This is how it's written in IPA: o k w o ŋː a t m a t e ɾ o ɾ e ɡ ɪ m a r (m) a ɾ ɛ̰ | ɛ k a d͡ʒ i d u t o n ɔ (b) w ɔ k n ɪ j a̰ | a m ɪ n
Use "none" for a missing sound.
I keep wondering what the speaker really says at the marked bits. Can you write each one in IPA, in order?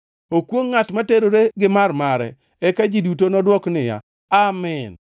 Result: m, d

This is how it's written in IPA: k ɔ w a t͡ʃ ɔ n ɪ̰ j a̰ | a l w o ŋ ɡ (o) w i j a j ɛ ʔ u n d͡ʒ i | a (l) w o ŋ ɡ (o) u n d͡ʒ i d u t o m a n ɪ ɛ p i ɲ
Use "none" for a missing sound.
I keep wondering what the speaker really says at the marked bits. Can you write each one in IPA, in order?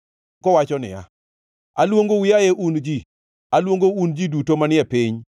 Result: o, l, o

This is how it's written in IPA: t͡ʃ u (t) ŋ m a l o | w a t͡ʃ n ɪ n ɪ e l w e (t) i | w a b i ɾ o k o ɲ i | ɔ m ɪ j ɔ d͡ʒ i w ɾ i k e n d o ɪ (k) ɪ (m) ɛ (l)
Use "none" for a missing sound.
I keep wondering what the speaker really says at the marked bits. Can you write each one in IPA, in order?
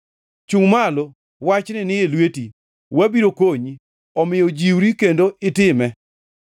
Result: none, t, t, m, none

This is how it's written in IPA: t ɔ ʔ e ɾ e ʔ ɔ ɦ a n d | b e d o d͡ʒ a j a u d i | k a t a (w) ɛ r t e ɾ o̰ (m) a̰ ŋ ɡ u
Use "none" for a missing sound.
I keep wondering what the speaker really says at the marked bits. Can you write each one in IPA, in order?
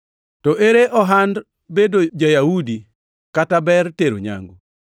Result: b, ɲ

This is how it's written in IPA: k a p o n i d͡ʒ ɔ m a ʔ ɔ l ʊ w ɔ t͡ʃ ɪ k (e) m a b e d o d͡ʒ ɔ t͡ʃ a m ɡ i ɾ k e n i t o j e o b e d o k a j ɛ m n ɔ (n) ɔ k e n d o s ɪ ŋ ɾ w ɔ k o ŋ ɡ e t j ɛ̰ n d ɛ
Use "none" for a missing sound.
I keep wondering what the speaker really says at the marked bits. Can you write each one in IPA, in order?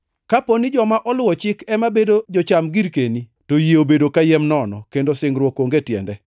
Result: ɛ, n

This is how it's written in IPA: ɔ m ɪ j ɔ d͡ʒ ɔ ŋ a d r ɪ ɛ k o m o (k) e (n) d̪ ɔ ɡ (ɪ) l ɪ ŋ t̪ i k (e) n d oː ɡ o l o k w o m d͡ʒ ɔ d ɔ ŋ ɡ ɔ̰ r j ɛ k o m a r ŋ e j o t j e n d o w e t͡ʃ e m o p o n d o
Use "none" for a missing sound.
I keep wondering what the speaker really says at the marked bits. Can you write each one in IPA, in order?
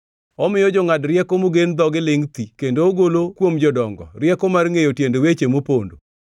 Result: ɡ, n, ɪ, e

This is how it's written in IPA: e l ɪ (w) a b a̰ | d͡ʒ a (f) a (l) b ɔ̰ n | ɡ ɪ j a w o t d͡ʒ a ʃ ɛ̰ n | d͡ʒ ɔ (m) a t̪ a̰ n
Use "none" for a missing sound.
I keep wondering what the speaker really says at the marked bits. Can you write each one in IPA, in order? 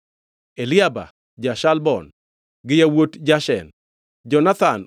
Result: none, ʃ, l, n

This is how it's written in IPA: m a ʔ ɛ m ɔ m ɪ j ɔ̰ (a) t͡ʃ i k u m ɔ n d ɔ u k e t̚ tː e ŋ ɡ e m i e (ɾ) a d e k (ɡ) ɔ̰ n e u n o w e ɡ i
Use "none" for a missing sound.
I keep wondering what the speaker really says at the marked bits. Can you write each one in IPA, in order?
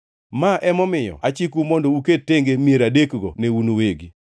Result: a, ɾ, ɡ

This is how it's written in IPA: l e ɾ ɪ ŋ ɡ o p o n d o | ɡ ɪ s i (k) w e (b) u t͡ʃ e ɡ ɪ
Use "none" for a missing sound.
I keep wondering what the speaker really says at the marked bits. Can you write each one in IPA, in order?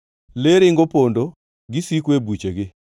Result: k, b

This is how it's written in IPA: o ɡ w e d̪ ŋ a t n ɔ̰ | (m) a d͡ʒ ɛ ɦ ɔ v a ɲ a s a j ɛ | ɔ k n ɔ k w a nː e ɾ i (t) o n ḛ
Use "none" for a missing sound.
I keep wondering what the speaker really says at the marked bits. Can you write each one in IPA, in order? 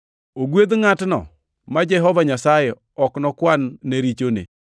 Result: m, t͡ʃ

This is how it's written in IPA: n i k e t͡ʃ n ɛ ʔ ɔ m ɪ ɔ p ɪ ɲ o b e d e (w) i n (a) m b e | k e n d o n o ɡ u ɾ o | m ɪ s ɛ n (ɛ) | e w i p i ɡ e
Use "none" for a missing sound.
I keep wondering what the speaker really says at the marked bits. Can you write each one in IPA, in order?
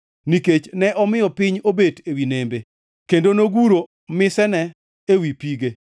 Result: w, e, ɛ

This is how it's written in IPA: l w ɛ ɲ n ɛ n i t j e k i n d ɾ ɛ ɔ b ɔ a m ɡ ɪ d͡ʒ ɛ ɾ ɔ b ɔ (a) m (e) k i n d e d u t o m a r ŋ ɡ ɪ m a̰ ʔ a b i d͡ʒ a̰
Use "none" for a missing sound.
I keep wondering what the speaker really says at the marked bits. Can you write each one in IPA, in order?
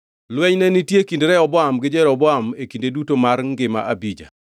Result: a, e

